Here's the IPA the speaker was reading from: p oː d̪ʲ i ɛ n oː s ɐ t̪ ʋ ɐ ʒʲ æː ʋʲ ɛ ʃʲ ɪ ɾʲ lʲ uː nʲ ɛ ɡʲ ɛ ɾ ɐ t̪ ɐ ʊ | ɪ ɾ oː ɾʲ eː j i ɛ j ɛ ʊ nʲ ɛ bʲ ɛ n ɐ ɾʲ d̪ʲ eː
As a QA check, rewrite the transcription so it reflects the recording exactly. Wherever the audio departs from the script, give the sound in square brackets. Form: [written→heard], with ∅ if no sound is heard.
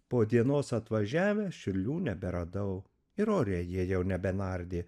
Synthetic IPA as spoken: p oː d̪ʲ i ɛ n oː s ɐ t̪ ʋ ɐ ʒʲ æː ʋʲ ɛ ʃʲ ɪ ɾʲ lʲ uː nʲ ɛ [ɡʲ→bʲ] ɛ ɾ ɐ [t̪→d̪] ɐ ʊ | ɪ ɾ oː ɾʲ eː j i ɛ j ɛ ʊ nʲ ɛ bʲ ɛ n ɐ ɾʲ d̪ʲ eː

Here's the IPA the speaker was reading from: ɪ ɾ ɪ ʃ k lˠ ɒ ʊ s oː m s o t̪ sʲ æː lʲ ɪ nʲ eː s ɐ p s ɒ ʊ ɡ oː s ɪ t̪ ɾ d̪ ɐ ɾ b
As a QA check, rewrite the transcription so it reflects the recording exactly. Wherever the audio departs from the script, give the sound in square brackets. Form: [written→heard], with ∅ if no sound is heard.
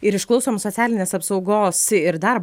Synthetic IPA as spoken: ɪ ɾ ɪ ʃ k lˠ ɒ ʊ s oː m s o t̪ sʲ æː lʲ ɪ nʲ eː s ɐ p s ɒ ʊ ɡ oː s ɪ [t̪→∅] ɾ d̪ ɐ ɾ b

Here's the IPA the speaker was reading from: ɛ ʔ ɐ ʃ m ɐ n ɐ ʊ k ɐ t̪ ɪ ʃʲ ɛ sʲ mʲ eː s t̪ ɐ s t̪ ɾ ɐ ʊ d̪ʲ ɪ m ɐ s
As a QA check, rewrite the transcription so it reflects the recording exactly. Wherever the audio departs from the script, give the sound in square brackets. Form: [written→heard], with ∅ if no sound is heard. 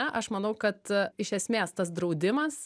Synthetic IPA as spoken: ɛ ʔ ɐ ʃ m ɐ n ɐ ʊ k ɐ t̪ ɪ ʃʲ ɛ sʲ mʲ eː s t̪ ɐ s [t̪→d̪] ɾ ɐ ʊ d̪ʲ ɪ m ɐ s

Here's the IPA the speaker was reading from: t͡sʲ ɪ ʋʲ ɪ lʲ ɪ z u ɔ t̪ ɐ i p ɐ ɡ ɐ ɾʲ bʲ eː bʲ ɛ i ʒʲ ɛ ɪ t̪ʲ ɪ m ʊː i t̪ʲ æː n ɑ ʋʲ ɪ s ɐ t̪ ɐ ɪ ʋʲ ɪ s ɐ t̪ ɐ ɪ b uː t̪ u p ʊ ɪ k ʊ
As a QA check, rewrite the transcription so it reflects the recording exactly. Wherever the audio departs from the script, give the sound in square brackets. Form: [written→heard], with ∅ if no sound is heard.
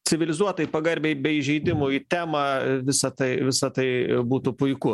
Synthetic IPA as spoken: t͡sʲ ɪ ʋʲ ɪ lʲ ɪ z u ɔ t̪ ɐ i p ɐ ɡ ɐ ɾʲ bʲ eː bʲ ɛ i ʒʲ ɛ ɪ [t̪ʲ→d̪ʲ] ɪ m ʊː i t̪ʲ æː [n→m] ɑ ʋʲ ɪ s ɐ t̪ ɐ ɪ ʋʲ ɪ s ɐ t̪ ɐ ɪ b uː t̪ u p ʊ ɪ k ʊ

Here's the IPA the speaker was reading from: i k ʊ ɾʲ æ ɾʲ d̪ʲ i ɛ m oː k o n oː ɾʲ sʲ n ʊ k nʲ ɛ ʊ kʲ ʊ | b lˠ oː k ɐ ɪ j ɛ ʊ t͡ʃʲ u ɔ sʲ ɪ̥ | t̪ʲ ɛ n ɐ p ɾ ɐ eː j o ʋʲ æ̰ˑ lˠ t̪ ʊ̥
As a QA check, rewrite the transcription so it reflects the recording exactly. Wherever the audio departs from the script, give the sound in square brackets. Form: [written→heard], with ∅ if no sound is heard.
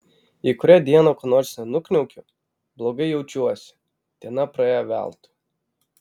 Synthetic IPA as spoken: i k ʊ ɾʲ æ [ɾʲ→∅] d̪ʲ i ɛ [m→n] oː k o n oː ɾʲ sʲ n ʊ k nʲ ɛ ʊ kʲ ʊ | b lˠ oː [k→ɡ] ɐ ɪ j ɛ ʊ t͡ʃʲ u ɔ sʲ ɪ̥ | t̪ʲ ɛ n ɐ p ɾ ɐ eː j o ʋʲ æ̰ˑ lˠ t̪ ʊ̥

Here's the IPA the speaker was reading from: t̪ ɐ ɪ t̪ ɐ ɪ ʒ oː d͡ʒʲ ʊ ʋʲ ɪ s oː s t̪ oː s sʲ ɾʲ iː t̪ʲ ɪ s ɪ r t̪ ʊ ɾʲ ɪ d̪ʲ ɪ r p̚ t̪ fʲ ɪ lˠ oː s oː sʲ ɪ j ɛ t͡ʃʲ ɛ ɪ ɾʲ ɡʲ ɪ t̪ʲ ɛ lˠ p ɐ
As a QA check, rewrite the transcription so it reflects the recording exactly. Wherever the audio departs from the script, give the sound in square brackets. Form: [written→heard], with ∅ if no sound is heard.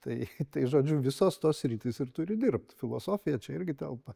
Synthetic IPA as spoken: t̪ ɐ ɪ t̪ ɐ ɪ ʒ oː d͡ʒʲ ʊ ʋʲ ɪ s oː s t̪ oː s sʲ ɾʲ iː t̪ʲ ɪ s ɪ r t̪ ʊ ɾʲ ɪ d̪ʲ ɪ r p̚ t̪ fʲ ɪ lˠ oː s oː [sʲ→fʲ] ɪ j ɛ t͡ʃʲ ɛ ɪ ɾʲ ɡʲ ɪ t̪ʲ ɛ lˠ p ɐ

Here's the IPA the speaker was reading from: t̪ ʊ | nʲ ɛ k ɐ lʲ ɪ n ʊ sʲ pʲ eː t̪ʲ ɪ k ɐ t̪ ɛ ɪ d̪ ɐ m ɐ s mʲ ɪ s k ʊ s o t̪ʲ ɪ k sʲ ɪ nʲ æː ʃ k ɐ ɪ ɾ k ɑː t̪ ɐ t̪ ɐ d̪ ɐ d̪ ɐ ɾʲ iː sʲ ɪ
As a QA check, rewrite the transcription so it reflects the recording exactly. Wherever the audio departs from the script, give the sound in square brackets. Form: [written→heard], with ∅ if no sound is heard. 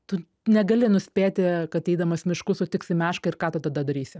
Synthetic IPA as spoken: t̪ ʊ | nʲ ɛ [k→ɡ] ɐ lʲ ɪ n ʊ sʲ pʲ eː t̪ʲ ɪ k ɐ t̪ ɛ ɪ d̪ ɐ m ɐ s mʲ ɪ [s→ʃ] k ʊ s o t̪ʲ ɪ k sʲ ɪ [nʲ→mʲ] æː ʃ k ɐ ɪ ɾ k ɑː t̪ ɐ t̪ ɐ d̪ ɐ d̪ ɐ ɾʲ iː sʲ ɪ

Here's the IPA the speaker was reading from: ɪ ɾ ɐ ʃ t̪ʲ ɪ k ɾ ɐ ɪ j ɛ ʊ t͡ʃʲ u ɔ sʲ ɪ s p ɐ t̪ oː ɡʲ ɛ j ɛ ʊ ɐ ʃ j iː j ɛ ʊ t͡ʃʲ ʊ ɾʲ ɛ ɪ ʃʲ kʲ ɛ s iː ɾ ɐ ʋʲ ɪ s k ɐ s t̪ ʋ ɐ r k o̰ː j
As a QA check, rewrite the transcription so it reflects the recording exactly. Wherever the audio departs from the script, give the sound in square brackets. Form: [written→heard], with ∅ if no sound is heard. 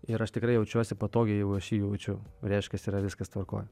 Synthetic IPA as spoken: ɪ ɾ ɐ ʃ t̪ʲ ɪ k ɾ ɐ ɪ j ɛ ʊ t͡ʃʲ u ɔ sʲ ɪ [s→∅] p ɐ t̪ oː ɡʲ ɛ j ɛ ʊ ɐ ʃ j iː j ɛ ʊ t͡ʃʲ ʊ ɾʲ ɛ ɪ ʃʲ kʲ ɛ s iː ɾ ɐ ʋʲ ɪ s k ɐ s t̪ ʋ ɐ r k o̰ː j

